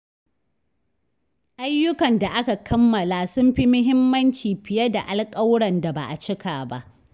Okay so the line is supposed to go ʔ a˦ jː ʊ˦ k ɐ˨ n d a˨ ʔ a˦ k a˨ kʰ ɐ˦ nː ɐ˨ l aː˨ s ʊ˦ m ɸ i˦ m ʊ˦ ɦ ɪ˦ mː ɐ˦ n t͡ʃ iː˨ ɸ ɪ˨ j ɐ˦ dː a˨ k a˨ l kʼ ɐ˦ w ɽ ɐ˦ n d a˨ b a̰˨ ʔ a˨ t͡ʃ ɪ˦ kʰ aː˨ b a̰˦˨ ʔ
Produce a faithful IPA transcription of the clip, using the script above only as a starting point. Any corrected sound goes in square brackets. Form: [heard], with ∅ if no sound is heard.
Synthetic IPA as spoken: ʔ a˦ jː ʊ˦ k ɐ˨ n d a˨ ʔ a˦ k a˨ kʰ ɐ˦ [mː] ɐ˨ l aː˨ s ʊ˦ m ɸ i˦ m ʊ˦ ɦ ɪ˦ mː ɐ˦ n t͡ʃ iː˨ ɸ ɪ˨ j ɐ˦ [d] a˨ [ʔ] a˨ l kʼ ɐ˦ w ɽ [ɐ˨] n d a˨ b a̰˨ ʔ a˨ t͡ʃ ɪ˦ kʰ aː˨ b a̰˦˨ ʔ